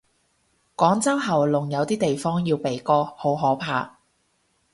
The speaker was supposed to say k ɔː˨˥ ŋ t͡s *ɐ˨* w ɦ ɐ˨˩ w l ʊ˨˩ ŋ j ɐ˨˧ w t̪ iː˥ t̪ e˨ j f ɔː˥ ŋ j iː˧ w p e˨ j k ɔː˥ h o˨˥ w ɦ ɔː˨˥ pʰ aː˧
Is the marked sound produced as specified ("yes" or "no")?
no